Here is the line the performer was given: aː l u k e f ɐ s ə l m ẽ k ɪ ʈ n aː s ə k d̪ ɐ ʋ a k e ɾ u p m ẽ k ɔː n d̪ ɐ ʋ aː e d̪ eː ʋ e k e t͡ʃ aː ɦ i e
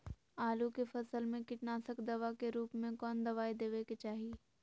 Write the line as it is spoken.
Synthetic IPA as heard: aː l u k e f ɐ s ə l m ẽ k ɪ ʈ n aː s ə k d̪ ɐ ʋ a k e ɾ uː p m ẽ k ɔː n d̪ ɐ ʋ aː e d̪ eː ʋ e k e t͡ʃ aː ɦ i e